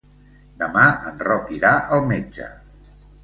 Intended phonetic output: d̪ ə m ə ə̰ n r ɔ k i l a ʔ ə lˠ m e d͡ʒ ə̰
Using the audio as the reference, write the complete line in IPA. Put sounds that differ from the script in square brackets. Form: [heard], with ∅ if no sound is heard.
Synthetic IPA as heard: d̪ ə m [a] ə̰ n r ɔ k i [ɾ] a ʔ ə lˠ m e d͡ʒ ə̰